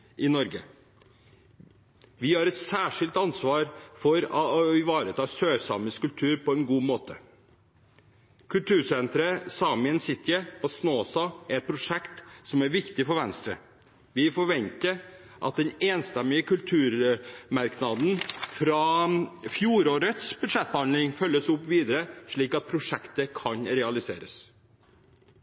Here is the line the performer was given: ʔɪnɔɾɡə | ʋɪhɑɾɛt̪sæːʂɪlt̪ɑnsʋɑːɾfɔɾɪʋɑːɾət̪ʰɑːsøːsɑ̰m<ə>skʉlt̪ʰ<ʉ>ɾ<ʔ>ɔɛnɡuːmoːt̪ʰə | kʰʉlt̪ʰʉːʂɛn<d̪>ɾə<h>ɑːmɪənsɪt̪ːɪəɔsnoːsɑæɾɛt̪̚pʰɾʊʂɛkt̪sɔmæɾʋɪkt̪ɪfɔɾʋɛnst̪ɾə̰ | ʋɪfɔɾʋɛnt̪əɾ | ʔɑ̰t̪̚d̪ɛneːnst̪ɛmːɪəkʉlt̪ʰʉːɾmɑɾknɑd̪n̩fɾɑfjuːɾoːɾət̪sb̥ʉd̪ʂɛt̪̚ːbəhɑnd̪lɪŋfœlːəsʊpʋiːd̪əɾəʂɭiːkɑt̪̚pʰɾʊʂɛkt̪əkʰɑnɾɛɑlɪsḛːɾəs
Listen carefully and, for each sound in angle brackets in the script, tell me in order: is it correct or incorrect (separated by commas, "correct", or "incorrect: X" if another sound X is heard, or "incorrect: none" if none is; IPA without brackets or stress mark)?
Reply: correct, incorrect: ʉː, incorrect: p, incorrect: t̪, incorrect: s